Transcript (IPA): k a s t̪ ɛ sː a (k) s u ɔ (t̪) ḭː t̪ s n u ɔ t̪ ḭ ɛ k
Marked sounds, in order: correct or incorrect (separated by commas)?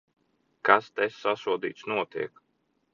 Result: incorrect, incorrect